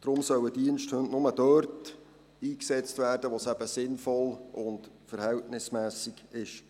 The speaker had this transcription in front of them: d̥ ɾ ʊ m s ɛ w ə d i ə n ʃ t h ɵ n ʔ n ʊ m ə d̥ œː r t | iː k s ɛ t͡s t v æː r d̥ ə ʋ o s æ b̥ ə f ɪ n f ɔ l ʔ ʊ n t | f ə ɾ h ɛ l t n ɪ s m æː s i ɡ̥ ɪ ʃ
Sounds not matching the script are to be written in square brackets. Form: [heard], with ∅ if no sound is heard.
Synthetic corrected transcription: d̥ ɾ ʊ m s [œ] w ə d i ə n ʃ t h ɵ n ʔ n ʊ m ə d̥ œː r t | iː k s ɛ t͡s t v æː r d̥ ə ʋ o s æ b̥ ə [s] ɪ n f ɔ l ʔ ʊ n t | f ə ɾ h ɛ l t n ɪ s m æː s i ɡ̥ ɪ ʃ

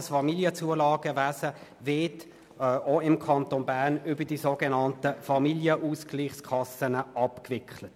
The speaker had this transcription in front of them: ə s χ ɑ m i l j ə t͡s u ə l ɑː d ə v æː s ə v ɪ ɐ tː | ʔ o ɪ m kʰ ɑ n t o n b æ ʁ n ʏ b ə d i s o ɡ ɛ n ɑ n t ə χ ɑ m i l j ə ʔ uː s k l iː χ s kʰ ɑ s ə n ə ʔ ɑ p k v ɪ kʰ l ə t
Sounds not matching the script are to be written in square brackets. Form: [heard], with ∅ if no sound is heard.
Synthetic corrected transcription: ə s [f] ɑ m i l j ə t͡s u ə l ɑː [ɡ] ə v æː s ə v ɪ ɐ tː | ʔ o ɪ m kʰ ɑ n t o n b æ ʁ n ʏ b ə d i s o ɡ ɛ n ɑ n t ə [f] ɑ m i l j ə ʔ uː s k l iː χ s kʰ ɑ s ə n ə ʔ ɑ p k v ɪ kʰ l ə t

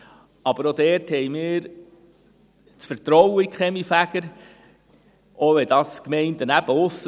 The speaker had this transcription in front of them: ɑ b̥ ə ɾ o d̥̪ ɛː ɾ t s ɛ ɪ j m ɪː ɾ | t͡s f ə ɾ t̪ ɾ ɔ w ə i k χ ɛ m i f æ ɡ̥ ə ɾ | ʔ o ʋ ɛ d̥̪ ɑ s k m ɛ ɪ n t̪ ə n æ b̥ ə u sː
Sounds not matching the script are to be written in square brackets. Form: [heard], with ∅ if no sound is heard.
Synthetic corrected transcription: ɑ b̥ ə ɾ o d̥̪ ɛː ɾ t [h] ɛ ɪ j m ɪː ɾ | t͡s f ə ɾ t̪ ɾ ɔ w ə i k χ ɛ m i f æ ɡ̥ ə ɾ | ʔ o ʋ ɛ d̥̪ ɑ s k m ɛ ɪ n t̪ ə n æ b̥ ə [ʊ] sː

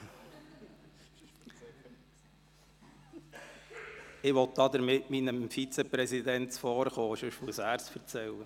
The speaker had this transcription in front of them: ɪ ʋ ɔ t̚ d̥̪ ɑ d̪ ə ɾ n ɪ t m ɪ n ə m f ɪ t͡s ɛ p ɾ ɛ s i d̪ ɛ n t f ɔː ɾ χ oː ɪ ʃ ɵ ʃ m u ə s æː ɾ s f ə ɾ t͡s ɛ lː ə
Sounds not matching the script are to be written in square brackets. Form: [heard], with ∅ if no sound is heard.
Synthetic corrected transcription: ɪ ʋ ɔ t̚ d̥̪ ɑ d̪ ə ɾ [m] ɪ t m [i] n ə m f [i] t͡s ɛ p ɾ ɛ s i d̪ ɛ n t f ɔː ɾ χ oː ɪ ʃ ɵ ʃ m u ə s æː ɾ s f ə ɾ t͡s ɛ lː ə

